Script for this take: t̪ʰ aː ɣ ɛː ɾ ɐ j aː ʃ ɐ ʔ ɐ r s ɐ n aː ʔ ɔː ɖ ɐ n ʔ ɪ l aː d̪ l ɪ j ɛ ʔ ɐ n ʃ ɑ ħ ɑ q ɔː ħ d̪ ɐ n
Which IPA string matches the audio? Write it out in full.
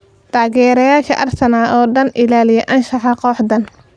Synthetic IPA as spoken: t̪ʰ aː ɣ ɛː ɾ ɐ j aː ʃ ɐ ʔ ɐ r s ɐ n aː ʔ ɔː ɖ ɐ n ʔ ɪ l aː l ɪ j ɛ ʔ ɐ n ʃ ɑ ħ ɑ q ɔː ħ d̪ ɐ n